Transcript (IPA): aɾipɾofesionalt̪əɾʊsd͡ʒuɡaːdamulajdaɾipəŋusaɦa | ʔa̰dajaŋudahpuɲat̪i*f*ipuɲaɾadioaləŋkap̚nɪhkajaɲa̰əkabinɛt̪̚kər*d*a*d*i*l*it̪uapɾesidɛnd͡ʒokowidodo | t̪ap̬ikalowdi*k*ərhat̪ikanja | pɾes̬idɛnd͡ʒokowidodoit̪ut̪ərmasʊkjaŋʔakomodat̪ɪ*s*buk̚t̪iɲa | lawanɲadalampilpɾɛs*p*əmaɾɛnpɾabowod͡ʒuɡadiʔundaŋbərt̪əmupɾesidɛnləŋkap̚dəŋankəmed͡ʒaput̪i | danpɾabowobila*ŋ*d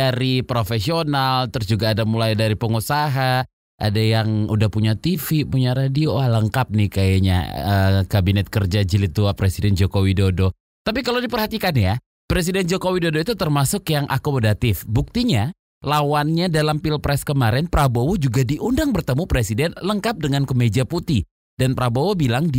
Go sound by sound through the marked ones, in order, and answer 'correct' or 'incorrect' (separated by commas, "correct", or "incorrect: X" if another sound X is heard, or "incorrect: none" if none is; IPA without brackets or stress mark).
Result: correct, incorrect: d͡ʒ, incorrect: d͡ʒ, correct, incorrect: p, incorrect: f, incorrect: k, correct